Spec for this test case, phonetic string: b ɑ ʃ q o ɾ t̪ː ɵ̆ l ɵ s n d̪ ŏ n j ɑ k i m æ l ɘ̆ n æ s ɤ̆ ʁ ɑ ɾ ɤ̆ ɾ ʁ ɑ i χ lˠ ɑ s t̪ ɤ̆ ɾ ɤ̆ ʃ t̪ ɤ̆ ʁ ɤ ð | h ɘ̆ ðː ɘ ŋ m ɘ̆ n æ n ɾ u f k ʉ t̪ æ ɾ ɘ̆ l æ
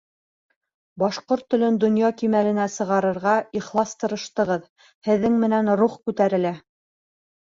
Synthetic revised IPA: b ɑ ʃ q o ɾ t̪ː ɵ̆ l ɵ n d̪ ŏ n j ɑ k i m æ l ɘ̆ n æ s ɤ̆ ʁ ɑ ɾ ɤ̆ ɾ ʁ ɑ i χ lˠ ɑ s t̪ ɤ̆ ɾ ɤ̆ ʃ t̪ ɤ̆ ʁ ɤ ð | h ɘ̆ ðː ɘ ŋ m ɘ̆ n æ n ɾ u χ k ʉ t̪ æ ɾ ɘ̆ l æ